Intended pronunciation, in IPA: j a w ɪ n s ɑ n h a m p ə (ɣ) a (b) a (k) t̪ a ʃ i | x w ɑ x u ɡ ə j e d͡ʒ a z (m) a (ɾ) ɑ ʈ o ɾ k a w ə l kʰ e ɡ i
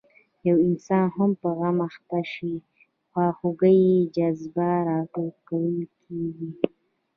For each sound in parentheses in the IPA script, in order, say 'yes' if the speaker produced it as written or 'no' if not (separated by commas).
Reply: yes, no, no, no, yes